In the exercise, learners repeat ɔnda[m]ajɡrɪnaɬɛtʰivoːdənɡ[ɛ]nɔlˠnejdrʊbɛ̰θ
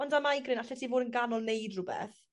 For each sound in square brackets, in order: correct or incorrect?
correct, incorrect

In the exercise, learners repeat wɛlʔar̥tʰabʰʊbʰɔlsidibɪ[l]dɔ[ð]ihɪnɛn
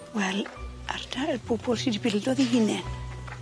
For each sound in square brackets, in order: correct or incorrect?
correct, correct

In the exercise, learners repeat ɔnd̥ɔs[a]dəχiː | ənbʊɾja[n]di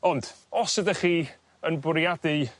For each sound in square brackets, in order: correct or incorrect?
incorrect, incorrect

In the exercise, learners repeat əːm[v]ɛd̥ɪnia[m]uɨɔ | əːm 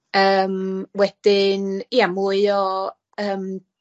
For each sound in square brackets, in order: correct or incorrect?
incorrect, correct

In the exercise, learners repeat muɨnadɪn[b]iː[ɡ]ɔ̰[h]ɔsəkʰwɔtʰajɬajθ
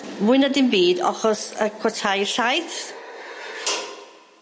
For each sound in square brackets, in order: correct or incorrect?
correct, incorrect, incorrect

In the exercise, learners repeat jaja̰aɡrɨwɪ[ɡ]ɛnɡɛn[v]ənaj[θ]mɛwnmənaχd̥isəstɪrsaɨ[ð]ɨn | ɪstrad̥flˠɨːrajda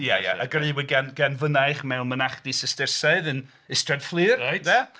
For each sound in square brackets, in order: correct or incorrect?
correct, correct, incorrect, correct

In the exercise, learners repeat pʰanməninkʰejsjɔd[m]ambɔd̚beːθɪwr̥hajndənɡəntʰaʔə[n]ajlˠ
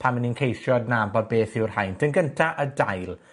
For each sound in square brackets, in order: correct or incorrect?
incorrect, incorrect

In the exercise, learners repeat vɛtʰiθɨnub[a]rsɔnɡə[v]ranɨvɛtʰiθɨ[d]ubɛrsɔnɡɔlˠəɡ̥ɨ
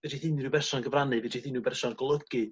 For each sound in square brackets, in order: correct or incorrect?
incorrect, correct, incorrect

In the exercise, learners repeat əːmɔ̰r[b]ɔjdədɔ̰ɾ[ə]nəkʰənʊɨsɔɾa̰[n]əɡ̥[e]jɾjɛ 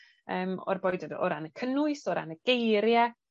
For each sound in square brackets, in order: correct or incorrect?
correct, incorrect, correct, correct

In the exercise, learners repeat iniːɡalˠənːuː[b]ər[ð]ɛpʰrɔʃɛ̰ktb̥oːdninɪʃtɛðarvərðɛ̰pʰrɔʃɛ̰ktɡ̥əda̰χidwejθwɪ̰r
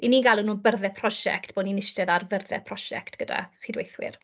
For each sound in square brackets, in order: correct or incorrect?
correct, correct

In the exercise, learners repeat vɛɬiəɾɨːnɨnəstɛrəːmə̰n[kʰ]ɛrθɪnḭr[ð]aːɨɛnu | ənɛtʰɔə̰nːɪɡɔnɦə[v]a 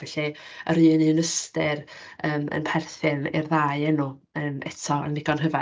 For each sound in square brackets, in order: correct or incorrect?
incorrect, correct, correct

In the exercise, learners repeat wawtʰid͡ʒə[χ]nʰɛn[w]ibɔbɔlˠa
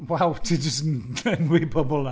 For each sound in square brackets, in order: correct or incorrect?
incorrect, correct

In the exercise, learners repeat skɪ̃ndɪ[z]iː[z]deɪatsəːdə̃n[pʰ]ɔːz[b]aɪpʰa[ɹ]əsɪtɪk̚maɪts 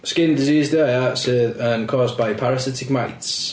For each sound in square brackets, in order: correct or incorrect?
correct, correct, incorrect, correct, correct

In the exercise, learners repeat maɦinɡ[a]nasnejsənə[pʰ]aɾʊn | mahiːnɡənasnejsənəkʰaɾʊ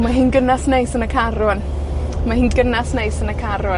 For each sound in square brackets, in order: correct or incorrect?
incorrect, incorrect

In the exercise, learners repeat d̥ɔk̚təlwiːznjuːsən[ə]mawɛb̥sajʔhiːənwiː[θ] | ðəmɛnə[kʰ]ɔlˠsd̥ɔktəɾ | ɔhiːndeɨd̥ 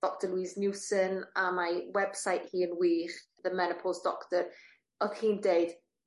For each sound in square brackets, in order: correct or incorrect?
incorrect, incorrect, incorrect

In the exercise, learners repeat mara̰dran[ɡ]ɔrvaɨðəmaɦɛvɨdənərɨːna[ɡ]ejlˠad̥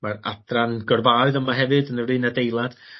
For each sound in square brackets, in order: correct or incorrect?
correct, incorrect

